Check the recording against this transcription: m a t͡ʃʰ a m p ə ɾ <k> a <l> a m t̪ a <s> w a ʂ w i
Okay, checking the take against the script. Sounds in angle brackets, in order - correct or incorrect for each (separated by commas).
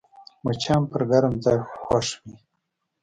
incorrect, incorrect, incorrect